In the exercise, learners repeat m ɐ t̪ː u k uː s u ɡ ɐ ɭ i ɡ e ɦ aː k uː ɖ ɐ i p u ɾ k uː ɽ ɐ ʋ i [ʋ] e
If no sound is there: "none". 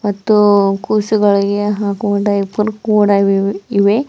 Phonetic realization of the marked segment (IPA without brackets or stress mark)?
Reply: ʋ